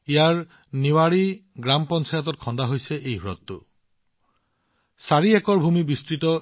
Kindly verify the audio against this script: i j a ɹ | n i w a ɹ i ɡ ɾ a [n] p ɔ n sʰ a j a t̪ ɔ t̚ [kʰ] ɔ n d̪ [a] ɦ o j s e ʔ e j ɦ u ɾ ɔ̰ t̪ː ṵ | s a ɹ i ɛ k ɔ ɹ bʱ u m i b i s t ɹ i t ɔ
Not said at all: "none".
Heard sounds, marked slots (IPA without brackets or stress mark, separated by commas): m, kʰ, a